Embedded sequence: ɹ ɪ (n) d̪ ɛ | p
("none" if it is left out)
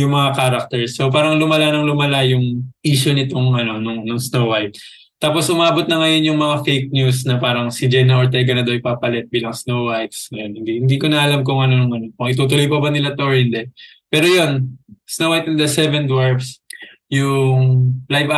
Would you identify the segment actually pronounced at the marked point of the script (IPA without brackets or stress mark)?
n